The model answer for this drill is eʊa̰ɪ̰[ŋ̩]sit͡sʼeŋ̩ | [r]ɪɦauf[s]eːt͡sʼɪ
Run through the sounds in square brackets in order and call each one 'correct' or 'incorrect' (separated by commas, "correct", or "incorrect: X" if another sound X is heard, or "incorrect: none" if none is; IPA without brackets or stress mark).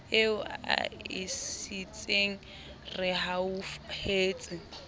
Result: incorrect: none, correct, incorrect: h